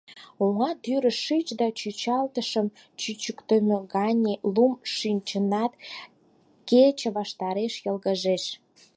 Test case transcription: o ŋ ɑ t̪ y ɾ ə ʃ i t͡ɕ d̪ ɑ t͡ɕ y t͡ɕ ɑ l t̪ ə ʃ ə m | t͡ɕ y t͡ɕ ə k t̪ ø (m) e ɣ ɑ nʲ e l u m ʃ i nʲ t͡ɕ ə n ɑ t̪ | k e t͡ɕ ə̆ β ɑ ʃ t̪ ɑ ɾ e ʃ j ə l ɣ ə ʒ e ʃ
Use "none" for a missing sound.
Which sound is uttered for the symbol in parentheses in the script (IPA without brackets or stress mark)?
m